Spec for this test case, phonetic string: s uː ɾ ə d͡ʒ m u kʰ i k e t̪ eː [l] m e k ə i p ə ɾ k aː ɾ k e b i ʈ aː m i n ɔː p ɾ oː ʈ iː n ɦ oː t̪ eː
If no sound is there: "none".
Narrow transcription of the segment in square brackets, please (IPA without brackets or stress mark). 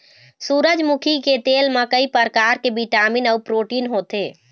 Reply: l